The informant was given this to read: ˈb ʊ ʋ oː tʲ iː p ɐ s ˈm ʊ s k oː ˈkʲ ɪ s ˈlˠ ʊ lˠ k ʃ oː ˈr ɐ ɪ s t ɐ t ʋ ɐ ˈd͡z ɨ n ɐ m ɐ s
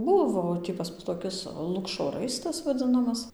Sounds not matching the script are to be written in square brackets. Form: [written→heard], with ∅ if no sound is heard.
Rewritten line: ˈb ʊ ʋ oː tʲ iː p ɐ s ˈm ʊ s [k→t] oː ˈkʲ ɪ s ˈlˠ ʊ [lˠ→∅] k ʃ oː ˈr ɐ ɪ s t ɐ [t→s] ʋ ɐ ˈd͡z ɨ n ɐ m ɐ s

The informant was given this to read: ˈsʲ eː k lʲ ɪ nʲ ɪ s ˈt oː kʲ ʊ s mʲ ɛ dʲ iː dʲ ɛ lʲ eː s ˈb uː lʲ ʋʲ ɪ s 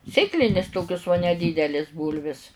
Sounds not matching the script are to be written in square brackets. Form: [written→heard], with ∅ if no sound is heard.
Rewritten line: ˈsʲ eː k lʲ ɪ nʲ ɪ s ˈt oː kʲ ʊ s [mʲ→nʲ] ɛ dʲ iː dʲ ɛ lʲ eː s ˈb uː lʲ ʋʲ ɪ s

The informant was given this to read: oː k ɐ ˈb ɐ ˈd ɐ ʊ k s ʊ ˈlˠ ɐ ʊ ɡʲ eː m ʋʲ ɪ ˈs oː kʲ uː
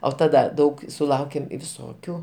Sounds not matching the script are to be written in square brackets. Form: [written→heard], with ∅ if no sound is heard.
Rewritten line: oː [k→t] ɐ [ˈb→ˈd] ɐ ˈd ɐ ʊ k s ʊ ˈlˠ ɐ ʊ [ɡʲ→kʲ] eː m ʋʲ ɪ ˈs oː kʲ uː

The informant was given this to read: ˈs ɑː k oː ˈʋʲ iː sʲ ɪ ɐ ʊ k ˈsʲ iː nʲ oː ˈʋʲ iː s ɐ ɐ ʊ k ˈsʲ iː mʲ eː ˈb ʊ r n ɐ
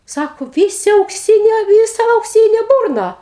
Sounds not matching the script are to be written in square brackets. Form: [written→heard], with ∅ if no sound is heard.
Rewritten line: ˈs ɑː k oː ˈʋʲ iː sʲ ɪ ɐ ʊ k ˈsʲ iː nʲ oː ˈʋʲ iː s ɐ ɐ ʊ k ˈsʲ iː [mʲ→nʲ] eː ˈb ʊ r n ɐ

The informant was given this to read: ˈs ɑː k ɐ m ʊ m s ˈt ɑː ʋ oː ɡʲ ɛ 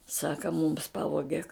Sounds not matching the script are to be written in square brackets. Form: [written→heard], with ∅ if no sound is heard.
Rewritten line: ˈs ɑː k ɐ m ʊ m s [ˈt→ˈp] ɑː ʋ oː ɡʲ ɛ

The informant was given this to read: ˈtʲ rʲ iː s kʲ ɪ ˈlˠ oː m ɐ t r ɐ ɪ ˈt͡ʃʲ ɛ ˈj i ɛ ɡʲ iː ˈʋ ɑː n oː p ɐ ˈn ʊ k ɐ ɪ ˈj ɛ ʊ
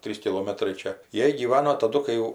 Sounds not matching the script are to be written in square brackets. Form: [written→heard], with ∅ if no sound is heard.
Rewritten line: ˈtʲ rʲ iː s kʲ ɪ ˈlˠ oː m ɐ t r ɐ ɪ ˈt͡ʃʲ ɛ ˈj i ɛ ɡʲ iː ˈʋ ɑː n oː [p→t] ɐ [ˈn→ˈd] ʊ k ɐ ɪ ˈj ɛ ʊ

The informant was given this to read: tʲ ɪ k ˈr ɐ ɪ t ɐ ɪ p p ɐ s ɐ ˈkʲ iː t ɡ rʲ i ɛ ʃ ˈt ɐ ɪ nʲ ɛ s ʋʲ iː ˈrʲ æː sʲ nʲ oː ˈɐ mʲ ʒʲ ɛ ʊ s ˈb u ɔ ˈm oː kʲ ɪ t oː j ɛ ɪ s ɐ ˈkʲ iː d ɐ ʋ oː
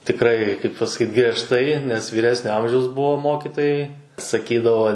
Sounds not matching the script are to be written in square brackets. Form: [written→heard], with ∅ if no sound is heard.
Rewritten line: tʲ ɪ k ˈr ɐ ɪ [t→k] ɐ ɪ p p ɐ s ɐ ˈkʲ iː t ɡ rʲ i ɛ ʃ ˈt ɐ ɪ nʲ ɛ s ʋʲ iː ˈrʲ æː sʲ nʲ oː ˈɐ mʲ ʒʲ ɛ ʊ s ˈb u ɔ ˈm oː kʲ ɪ t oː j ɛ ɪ s ɐ ˈkʲ iː d ɐ ʋ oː

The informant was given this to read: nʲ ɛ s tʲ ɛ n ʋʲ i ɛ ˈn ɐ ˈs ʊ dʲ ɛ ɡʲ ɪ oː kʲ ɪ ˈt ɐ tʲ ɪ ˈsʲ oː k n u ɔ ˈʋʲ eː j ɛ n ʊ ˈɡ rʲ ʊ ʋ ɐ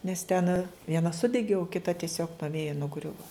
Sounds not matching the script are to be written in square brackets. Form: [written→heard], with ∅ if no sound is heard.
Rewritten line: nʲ ɛ s tʲ ɛ n ʋʲ i ɛ ˈn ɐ ˈs ʊ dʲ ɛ ɡʲ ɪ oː kʲ ɪ ˈt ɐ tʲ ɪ ˈsʲ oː k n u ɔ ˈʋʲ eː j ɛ n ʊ ˈɡ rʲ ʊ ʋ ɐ

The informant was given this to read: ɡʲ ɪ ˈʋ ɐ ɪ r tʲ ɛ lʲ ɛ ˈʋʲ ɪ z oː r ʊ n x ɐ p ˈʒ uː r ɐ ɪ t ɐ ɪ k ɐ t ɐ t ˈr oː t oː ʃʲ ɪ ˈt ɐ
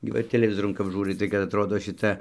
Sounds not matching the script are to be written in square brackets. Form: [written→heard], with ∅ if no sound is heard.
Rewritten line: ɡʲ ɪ ˈʋ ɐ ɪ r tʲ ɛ lʲ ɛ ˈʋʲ ɪ z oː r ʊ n [x→k] ɐ p ˈʒ uː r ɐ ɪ t ɐ ɪ k ɐ t ɐ t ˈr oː [t→d] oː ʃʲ ɪ ˈt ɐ

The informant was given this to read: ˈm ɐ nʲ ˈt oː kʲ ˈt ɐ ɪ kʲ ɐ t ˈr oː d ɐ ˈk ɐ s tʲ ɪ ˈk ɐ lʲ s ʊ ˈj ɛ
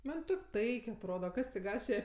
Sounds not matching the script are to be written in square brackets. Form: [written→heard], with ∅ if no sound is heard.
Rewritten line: ˈm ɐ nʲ ˈt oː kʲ ˈt ɐ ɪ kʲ ɐ t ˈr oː d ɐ ˈk ɐ s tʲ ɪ [ˈk→ˈɡ] ɐ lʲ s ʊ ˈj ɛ

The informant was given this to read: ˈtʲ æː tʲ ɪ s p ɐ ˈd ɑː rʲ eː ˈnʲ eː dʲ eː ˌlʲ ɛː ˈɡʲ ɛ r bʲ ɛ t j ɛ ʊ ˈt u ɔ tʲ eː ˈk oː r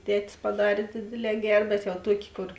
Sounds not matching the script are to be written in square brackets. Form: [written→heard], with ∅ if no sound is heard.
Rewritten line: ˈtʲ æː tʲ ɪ s p ɐ ˈd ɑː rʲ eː [ˈnʲ→ˈdʲ] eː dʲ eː ˌlʲ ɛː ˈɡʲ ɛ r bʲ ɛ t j ɛ ʊ ˈt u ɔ [tʲ→kʲ] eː ˈk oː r

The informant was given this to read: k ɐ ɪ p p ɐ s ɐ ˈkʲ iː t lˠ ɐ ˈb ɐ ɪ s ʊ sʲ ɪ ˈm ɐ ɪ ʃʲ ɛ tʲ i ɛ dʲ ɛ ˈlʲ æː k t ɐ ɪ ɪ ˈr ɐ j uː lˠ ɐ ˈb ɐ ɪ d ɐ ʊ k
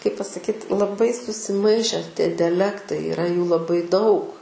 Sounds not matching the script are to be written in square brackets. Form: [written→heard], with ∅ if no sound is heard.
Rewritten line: k ɐ ɪ p p ɐ s ɐ ˈkʲ iː t lˠ ɐ ˈb ɐ ɪ s ʊ sʲ ɪ ˈm ɐ ɪ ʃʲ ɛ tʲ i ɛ dʲ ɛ ˈlʲ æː k t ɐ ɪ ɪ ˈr ɐ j uː lˠ ɐ ˈb ɐ ɪ d ɐ ʊ k

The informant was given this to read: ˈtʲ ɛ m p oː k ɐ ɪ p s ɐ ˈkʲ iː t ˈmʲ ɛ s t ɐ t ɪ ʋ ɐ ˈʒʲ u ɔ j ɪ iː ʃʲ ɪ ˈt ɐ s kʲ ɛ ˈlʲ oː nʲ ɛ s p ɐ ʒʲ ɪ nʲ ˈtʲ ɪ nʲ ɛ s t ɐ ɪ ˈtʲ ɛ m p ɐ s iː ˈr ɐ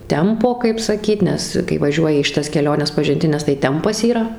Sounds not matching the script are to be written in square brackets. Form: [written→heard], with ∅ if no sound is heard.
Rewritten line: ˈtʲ ɛ m p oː k ɐ ɪ p s ɐ ˈkʲ iː t [ˈmʲ→ˈnʲ] ɛ s [t→k] ɐ [t→∅] ɪ ʋ ɐ ˈʒʲ u ɔ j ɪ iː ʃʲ ɪ ˈt ɐ s kʲ ɛ ˈlʲ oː nʲ ɛ s p ɐ ʒʲ ɪ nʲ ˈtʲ ɪ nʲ ɛ s t ɐ ɪ ˈtʲ ɛ m p ɐ s iː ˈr ɐ

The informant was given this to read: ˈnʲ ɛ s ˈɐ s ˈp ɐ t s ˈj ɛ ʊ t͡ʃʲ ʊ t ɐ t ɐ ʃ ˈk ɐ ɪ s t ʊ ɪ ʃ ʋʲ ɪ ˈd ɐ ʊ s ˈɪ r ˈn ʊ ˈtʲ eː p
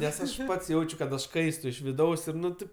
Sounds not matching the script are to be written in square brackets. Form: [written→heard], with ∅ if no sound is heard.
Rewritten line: ˈnʲ ɛ s ˈɐ [s→ʃ] ˈp ɐ t s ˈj ɛ ʊ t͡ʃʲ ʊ [t→k] ɐ t ɐ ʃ ˈk ɐ ɪ s t ʊ ɪ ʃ ʋʲ ɪ ˈd ɐ ʊ s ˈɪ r ˈn ʊ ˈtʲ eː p

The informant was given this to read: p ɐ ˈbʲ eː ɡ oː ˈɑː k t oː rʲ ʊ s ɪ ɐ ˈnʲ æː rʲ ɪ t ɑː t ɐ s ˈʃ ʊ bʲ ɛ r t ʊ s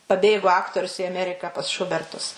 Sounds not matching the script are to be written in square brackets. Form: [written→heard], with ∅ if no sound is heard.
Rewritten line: p ɐ ˈbʲ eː ɡ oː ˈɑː k t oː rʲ ʊ s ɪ ɐ [ˈnʲ→ˈmʲ] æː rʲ ɪ [t→k] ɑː [t→p] ɐ s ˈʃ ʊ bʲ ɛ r t ʊ s

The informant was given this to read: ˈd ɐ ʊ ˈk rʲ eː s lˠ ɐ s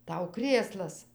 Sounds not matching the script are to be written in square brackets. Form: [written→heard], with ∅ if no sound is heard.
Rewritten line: [ˈd→ˈt] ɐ ʊ ˈk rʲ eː s lˠ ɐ s

